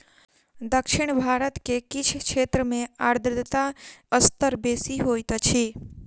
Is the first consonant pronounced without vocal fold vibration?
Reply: no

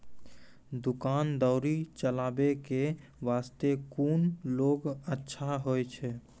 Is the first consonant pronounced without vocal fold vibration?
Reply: no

